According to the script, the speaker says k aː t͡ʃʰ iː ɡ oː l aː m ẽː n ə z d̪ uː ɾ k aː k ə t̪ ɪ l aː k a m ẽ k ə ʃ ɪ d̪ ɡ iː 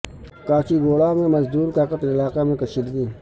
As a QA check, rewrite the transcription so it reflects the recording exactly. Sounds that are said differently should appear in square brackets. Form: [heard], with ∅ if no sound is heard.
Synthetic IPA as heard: k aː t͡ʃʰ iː ɡ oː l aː m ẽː [m] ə z d̪ uː ɾ k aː k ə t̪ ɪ l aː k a m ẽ k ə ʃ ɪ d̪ ɡ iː